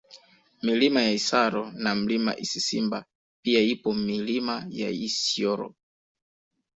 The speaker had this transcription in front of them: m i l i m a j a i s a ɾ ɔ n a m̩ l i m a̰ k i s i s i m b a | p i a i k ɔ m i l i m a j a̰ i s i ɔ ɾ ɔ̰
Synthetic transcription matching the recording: m i l i m a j a i s a ɾ ɔ n a m̩ l i m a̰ ʔ i s i s i m b a | p i a i p ɔ m i l i m a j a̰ i s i ɔ ɾ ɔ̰